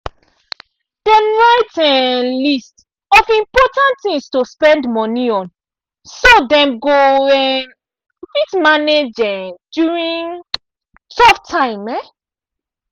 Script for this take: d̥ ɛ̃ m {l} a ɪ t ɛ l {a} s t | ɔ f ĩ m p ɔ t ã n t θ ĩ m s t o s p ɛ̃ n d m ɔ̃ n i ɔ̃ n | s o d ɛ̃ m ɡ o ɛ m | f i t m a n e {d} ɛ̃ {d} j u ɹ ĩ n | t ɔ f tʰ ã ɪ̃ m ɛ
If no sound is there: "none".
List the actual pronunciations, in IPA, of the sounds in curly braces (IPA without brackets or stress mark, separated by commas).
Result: ɹ, i, d͡ʒ, d